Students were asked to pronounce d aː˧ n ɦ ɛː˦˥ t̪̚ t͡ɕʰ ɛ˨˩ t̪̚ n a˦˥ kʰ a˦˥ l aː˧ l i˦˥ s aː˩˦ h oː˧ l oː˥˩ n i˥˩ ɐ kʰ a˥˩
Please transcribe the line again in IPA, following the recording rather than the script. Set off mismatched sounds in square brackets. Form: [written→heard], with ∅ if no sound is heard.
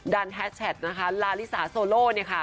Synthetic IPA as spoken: d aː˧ n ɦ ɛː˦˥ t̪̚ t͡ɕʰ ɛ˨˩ t̪̚ n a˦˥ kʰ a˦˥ l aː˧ l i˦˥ s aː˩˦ [h→s] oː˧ l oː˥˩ n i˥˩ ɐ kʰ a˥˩

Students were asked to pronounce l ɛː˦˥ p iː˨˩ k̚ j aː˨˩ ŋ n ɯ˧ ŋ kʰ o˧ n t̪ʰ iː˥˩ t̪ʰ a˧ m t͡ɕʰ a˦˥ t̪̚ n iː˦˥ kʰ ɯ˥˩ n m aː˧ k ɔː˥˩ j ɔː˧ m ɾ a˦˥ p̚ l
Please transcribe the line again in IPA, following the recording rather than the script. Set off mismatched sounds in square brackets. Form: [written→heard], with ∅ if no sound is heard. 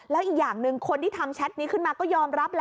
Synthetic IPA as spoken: l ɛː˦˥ [p→ʔ] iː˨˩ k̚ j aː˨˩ ŋ n ɯ˧ ŋ kʰ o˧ n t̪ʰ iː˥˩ t̪ʰ a˧ m t͡ɕʰ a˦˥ t̪̚ n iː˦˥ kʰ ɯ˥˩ n m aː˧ k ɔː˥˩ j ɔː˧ m ɾ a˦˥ p̚ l

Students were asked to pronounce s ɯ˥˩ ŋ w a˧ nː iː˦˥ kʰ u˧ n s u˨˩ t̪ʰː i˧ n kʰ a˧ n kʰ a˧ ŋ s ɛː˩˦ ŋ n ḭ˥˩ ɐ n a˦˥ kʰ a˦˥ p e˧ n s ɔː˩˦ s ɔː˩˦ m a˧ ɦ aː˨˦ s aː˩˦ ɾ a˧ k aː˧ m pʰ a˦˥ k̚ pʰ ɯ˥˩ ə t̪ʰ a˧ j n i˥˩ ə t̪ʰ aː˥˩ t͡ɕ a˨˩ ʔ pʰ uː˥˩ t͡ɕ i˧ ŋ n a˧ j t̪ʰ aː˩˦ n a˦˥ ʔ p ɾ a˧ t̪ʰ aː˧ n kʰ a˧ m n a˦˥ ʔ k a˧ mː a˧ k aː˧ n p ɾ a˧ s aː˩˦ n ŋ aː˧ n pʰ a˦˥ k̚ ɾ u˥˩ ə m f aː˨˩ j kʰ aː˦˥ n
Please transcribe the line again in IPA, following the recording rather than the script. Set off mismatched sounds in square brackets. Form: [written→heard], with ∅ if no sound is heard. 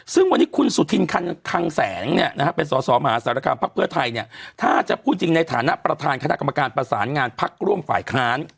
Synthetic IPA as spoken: s ɯ˥˩ ŋ w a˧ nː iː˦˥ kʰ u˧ n s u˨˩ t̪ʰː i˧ n kʰ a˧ n kʰ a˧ ŋ s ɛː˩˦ ŋ n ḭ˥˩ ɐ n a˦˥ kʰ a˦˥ p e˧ n s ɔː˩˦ s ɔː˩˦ m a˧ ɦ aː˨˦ s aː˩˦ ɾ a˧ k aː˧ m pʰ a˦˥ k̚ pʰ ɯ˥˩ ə t̪ʰ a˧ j n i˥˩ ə t̪ʰ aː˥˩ t͡ɕ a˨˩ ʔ pʰ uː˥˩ t͡ɕ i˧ ŋ n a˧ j t̪ʰ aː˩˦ n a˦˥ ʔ p ɾ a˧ t̪ʰ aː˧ n kʰ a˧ [m→∅] n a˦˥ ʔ k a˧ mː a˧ k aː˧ n p ɾ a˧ s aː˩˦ n ŋ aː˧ n pʰ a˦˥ k̚ ɾ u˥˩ ə m f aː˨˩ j kʰ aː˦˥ n

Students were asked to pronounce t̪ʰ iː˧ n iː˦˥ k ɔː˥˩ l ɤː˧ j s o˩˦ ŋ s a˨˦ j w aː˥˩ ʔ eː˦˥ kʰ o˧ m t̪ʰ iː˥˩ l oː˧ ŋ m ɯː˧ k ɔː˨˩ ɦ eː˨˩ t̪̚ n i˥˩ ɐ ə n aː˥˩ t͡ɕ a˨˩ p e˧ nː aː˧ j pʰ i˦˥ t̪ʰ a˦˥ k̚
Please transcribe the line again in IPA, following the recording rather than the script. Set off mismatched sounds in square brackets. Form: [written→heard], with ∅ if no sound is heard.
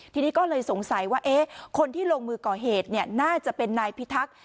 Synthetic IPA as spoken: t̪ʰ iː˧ n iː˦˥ k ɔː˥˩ l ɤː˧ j s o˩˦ ŋ s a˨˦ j w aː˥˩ ʔ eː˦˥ kʰ o˧ [m→n] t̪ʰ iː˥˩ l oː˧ ŋ m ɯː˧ k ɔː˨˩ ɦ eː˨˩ t̪̚ n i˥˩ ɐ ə n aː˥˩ t͡ɕ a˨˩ p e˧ nː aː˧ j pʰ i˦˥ t̪ʰ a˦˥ k̚

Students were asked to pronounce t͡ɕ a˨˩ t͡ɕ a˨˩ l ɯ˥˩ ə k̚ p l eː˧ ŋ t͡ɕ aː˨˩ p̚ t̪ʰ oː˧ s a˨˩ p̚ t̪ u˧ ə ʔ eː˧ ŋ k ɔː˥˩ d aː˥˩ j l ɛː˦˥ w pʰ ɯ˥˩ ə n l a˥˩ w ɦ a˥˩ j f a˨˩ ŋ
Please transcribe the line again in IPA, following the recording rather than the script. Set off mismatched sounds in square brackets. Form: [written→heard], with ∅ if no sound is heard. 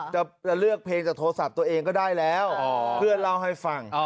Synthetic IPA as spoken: t͡ɕ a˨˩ t͡ɕ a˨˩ l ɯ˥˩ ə k̚ [p→pʰ] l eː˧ ŋ t͡ɕ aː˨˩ [p̚→k̚] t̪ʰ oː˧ s a˨˩ p̚ t̪ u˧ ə ʔ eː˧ ŋ k ɔː˥˩ d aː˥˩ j l ɛː˦˥ w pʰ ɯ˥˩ ə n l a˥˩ w ɦ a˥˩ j f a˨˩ ŋ

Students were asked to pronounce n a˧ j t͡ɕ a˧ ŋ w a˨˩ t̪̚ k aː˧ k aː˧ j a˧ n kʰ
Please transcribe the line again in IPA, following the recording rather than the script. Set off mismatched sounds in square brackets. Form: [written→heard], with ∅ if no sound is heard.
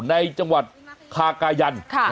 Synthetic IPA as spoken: n a˧ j t͡ɕ a˧ ŋ w a˨˩ t̪̚ [k→kʰ] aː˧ k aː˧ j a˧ n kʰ

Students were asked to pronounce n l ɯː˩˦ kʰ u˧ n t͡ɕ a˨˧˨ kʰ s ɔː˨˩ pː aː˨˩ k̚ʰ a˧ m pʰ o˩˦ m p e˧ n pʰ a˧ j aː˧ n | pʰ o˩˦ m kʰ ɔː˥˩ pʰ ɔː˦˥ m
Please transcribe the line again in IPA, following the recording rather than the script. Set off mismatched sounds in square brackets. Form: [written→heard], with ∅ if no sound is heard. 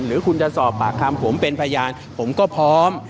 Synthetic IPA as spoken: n [l→ɾ] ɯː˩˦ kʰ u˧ n t͡ɕ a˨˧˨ [kʰ→∅] s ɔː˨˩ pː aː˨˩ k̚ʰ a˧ m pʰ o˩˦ m p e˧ n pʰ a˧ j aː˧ n | pʰ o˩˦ m [kʰ→k] ɔː˥˩ pʰ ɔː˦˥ m

